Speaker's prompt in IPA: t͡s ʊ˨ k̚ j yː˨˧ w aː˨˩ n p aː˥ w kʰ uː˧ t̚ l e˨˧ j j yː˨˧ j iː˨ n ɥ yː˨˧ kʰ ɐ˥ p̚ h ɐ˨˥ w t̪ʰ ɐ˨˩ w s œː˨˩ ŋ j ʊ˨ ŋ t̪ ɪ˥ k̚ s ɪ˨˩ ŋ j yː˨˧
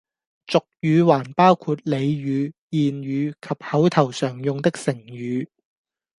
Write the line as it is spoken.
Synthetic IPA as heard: t͡s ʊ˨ k̚ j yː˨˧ w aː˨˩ n p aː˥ w kʰ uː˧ t̚ l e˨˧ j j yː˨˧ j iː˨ n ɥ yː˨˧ kʰ ɐ˨ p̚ h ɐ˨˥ w t̪ʰ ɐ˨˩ w s œː˨˩ ŋ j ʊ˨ ŋ t̪ ɪ˥ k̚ s ɪ˨˩ ŋ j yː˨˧